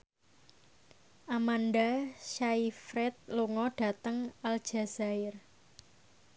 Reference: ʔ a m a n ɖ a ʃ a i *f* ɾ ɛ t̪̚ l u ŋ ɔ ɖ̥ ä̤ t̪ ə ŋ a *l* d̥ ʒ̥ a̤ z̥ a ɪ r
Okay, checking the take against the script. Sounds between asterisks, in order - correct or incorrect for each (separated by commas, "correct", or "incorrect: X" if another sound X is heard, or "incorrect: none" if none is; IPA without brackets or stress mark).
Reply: correct, correct